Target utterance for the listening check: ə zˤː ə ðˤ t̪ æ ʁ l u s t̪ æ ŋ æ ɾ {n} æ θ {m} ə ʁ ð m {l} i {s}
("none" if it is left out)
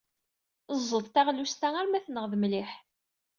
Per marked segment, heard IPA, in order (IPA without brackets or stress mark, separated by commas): m, n, l, ħ